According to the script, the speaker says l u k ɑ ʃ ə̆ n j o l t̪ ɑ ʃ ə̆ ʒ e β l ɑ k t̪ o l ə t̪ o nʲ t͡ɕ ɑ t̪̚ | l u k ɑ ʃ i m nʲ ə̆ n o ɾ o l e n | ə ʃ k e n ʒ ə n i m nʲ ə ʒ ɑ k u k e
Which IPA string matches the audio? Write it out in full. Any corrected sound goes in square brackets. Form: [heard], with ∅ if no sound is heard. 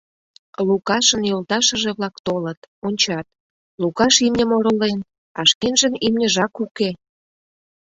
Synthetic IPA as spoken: l u k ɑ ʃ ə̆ n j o l t̪ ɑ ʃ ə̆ ʒ e β l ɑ k t̪ o l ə t̪ o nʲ t͡ɕ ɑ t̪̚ | l u k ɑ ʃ i m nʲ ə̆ [m] o ɾ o l e n | [ɑ] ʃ k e n ʒ ə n i m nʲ ə ʒ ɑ k u k e